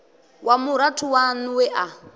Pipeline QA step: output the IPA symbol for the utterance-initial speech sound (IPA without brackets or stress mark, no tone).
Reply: w